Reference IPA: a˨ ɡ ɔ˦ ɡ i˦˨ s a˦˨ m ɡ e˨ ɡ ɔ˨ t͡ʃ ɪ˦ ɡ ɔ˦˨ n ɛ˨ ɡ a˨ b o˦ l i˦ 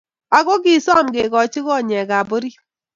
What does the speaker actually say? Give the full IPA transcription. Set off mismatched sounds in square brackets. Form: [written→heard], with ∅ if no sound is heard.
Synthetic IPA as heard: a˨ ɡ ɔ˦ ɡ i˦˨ s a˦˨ m ɡ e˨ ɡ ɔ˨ t͡ʃ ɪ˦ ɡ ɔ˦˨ [n→ɲ] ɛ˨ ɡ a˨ b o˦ [l→ɾ] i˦

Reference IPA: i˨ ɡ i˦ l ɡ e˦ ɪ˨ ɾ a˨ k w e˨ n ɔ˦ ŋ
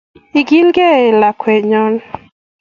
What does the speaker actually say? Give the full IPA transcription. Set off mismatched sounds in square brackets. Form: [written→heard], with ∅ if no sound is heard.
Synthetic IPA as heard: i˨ ɡ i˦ l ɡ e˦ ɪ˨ [ɾ→l] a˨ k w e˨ [n→ɲ] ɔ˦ [ŋ→n]

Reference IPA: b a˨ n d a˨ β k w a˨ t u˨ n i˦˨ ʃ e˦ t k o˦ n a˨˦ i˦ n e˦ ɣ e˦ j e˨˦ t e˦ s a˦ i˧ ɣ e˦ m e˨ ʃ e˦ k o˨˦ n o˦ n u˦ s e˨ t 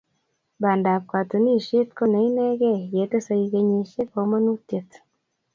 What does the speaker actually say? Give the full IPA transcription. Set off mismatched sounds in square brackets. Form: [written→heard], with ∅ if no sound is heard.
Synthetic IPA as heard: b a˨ n d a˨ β k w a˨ t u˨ n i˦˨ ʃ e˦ t k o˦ n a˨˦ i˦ n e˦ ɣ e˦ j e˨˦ t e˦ s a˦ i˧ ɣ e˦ [m→ɲ] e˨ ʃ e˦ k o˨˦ [n→m] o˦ n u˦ [s→t] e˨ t

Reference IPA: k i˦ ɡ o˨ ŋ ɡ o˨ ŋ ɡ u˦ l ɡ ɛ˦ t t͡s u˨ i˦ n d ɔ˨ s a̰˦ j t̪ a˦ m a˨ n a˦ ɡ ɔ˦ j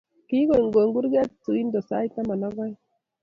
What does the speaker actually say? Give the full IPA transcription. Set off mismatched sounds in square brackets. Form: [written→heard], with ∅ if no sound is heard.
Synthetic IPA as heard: k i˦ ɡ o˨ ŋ ɡ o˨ ŋ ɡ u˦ [l→ɾ] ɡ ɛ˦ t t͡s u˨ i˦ n d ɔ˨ s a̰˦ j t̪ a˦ m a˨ n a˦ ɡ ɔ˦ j

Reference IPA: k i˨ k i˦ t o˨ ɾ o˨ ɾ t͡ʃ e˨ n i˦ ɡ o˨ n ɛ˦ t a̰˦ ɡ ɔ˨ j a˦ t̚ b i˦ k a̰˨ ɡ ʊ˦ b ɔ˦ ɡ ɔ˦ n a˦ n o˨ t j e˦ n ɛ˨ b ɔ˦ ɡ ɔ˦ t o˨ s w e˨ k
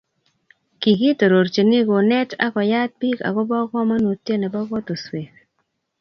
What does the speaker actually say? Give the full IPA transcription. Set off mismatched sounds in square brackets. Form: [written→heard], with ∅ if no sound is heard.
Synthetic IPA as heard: k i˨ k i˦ t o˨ ɾ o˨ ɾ t͡ʃ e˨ n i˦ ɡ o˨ n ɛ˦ t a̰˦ [ɡ→k] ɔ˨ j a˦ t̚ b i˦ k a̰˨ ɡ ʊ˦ b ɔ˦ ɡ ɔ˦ [n→m] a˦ n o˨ t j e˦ n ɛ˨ b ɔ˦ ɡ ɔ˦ t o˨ s w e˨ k

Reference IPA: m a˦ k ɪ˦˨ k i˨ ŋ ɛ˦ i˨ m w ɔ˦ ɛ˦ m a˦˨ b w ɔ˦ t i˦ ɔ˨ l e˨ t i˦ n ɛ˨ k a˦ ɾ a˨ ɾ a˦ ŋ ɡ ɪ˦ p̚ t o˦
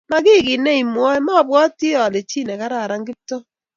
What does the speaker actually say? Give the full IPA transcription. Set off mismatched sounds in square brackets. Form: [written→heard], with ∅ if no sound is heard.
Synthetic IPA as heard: m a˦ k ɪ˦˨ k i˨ [ŋ→n] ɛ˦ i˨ m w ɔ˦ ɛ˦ m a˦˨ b w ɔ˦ t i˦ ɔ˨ l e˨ [t→t͡ʃ] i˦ n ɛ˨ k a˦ ɾ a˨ ɾ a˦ ŋ ɡ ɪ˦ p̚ t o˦

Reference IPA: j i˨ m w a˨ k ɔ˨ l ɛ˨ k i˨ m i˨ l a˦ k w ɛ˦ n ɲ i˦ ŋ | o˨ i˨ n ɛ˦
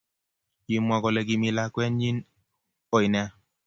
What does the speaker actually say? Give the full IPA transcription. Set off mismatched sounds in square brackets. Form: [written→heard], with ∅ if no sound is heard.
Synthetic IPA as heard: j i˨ m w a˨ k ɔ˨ l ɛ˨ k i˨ m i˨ l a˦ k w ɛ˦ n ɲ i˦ [ŋ→n] | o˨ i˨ n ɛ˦

